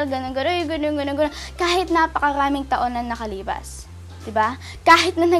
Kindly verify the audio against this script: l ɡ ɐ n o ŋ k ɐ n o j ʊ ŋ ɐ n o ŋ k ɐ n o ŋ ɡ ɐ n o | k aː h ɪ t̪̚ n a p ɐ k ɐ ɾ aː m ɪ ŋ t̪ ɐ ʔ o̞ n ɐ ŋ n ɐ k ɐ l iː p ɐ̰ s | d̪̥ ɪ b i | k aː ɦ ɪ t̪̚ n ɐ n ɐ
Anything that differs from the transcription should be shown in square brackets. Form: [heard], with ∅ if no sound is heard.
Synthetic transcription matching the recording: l ɡ ɐ n o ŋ [ɡ] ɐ n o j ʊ [ɡ] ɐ n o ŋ [ɡ] ɐ n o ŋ ɡ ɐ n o | k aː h ɪ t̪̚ n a p ɐ k ɐ ɾ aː m ɪ ŋ t̪ ɐ ʔ o̞ n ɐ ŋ n ɐ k ɐ l iː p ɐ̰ s | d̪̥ ɪ b [a] | k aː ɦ ɪ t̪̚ n ɐ n ɐ